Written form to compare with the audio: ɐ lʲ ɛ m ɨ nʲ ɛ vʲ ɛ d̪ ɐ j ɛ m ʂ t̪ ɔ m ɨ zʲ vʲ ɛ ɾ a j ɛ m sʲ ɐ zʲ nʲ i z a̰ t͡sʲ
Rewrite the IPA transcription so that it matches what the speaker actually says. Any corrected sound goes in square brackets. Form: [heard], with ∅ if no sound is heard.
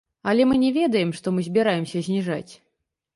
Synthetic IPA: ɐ lʲ ɛ m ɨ nʲ ɛ vʲ ɛ d̪ ɐ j ɛ m ʂ t̪ ɔ m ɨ zʲ [bʲ] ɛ ɾ a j ɛ m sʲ ɐ zʲ nʲ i [ʐ] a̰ t͡sʲ